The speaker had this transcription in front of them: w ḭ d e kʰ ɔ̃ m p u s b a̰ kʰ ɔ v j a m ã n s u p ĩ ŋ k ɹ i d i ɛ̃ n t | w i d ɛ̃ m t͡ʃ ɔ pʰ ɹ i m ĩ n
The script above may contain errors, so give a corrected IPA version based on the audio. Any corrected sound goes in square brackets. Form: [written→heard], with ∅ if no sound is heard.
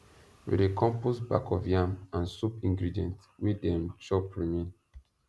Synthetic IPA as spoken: w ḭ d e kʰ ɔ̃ m p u s b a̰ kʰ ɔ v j a m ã n s u p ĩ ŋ [k→ɡ] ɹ i d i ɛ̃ n t | w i d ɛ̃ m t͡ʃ ɔ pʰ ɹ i m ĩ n